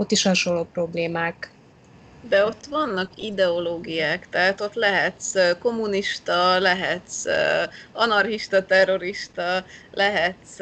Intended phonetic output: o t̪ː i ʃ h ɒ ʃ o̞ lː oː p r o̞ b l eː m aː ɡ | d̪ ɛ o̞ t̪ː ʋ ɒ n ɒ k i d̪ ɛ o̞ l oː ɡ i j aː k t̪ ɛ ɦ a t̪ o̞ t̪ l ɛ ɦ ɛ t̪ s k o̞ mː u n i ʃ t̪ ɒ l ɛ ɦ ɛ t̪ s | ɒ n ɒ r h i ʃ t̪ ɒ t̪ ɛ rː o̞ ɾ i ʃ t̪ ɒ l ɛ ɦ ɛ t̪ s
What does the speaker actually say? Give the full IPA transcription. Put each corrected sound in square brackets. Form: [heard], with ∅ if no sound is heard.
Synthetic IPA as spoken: o t̪ː i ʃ h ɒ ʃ o̞ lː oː p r o̞ b l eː m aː [k] | d̪ ɛ o̞ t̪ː ʋ ɒ [nː] ɒ k i d̪ ɛ o̞ l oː ɡ i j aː k t̪ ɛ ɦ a t̪ o̞ t̪ l ɛ ɦ ɛ t̪ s k o̞ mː u n i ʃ t̪ ɒ l ɛ ɦ ɛ t̪ s | ɒ n ɒ r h i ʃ t̪ ɒ t̪ ɛ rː o̞ ɾ i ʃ t̪ ɒ l ɛ ɦ ɛ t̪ s